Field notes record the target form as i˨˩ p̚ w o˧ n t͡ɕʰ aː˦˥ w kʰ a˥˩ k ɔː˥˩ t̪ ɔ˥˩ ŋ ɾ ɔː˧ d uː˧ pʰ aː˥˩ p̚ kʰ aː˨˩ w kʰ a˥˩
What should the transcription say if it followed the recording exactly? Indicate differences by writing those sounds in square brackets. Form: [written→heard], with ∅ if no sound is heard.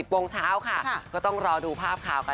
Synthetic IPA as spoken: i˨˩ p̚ w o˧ [n→ŋ] t͡ɕʰ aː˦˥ w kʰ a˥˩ k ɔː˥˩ t̪ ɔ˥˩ ŋ ɾ ɔː˧ d uː˧ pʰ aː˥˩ p̚ kʰ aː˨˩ w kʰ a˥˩